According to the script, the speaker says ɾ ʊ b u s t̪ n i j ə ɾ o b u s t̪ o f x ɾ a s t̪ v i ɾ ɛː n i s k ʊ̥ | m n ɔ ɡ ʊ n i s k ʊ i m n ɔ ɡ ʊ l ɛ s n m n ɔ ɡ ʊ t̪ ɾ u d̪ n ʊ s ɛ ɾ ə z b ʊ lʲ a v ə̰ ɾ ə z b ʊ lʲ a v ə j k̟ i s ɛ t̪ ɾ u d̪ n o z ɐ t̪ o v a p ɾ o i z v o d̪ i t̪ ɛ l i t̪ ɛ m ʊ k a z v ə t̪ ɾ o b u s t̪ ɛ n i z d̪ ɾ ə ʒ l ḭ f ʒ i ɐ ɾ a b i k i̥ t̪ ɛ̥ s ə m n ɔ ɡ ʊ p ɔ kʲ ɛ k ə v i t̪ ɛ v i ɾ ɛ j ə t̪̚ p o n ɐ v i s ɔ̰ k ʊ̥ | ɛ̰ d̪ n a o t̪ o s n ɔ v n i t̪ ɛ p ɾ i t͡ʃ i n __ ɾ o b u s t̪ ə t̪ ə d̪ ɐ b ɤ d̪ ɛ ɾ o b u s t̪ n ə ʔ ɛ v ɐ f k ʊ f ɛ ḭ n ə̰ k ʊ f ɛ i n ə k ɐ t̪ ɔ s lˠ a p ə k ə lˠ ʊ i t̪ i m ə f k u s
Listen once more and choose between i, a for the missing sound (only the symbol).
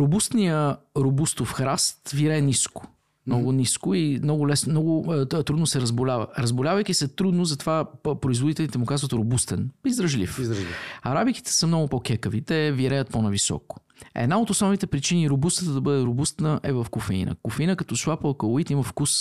i